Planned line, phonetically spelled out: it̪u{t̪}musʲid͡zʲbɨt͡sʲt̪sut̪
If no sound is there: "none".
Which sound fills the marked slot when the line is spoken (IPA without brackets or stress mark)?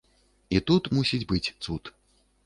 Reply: t̪